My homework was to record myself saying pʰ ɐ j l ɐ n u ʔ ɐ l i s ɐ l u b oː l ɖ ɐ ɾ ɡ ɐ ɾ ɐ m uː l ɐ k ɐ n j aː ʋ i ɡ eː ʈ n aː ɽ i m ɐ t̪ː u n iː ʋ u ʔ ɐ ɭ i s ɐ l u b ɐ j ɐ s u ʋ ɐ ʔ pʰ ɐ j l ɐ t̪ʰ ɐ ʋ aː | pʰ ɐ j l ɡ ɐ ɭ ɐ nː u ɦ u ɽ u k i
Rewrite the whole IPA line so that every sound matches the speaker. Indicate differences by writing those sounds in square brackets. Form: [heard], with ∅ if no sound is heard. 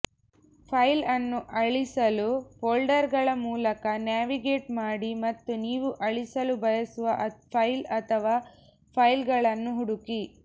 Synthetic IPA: pʰ ɐ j l ɐ [nː] u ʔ ɐ [ɭ] i s ɐ l u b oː l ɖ ɐ ɾ ɡ ɐ [ɭ] ɐ m uː l ɐ k ɐ n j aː ʋ i ɡ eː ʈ [m] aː ɽ i m ɐ t̪ː u n iː ʋ u ʔ ɐ ɭ i s ɐ l u b ɐ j ɐ s u ʋ ɐ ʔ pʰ ɐ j l ɐ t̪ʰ ɐ ʋ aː | pʰ ɐ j l ɡ ɐ ɭ ɐ nː u ɦ u ɽ u k i